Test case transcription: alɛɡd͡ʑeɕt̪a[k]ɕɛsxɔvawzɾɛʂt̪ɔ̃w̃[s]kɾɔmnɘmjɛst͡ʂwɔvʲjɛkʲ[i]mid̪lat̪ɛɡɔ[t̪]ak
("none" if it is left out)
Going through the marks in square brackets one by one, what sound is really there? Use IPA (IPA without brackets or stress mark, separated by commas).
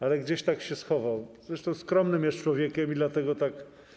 k, s, ɛ, t̪